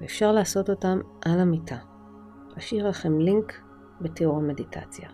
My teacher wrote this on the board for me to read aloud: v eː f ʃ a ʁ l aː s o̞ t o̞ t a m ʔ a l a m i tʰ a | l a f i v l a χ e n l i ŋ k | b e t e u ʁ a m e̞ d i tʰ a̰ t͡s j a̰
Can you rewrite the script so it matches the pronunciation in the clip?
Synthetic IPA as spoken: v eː f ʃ a ʁ l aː s o̞ t o̞ t a m ʔ a l a m i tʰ a | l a ʃ i ʁ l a χ e m l i ŋ k | b e t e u ʁ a m e̞ d i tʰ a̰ t͡s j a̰